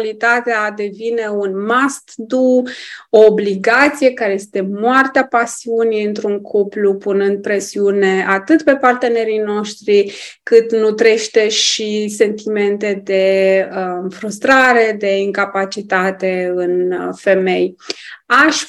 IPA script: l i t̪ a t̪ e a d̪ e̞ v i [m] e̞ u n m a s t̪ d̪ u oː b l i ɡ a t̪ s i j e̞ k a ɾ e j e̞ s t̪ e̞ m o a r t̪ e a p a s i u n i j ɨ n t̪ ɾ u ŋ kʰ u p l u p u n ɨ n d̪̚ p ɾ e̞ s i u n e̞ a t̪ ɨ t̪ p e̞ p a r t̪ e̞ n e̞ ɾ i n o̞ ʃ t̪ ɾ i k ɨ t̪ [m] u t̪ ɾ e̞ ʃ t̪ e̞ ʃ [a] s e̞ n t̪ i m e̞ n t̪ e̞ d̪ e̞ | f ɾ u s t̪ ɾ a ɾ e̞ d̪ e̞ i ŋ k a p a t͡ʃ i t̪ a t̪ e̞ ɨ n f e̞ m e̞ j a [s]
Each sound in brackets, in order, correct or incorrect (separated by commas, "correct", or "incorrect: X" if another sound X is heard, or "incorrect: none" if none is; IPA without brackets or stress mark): incorrect: n, incorrect: n, incorrect: i, incorrect: ʃ